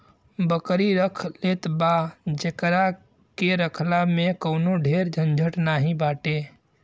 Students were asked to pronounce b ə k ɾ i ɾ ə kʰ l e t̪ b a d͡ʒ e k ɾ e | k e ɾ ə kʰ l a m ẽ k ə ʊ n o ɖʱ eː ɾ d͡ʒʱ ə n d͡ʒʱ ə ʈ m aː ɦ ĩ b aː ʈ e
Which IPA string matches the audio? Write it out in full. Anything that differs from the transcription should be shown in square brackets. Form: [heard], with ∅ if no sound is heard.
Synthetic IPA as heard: b ə k ɾ i ɾ ə kʰ l e t̪ b a d͡ʒ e k ɾ [a] | k e ɾ ə kʰ l a m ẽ k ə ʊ n o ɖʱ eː ɾ d͡ʒʱ ə n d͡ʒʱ ə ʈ [n] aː ɦ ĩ b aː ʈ e